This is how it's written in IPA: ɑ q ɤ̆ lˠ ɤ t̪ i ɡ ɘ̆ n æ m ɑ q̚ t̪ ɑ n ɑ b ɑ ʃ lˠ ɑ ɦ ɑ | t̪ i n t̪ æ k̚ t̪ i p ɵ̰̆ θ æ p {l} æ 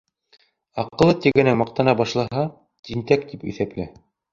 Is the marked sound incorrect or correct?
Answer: correct